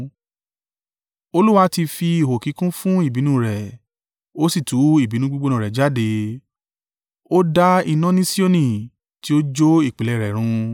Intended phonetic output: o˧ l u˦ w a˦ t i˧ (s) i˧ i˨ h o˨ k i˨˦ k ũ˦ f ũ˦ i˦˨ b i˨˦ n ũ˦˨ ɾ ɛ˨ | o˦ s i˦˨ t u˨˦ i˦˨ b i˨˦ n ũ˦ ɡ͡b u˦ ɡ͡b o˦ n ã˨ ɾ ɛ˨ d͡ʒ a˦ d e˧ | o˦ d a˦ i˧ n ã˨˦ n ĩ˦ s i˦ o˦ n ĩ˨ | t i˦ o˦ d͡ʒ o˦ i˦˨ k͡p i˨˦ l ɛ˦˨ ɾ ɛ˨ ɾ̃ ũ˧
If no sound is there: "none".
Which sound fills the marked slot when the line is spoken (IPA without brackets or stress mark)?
f